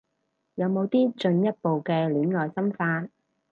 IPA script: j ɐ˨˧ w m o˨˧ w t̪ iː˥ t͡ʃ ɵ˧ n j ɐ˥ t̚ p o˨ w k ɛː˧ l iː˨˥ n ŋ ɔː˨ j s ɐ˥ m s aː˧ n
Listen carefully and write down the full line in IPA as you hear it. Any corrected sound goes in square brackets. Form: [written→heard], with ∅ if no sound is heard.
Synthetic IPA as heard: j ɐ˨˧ w m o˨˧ w t̪ iː˥ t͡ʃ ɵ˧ n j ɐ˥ t̚ p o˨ w k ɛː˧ l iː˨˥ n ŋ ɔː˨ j s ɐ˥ m [s→f] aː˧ n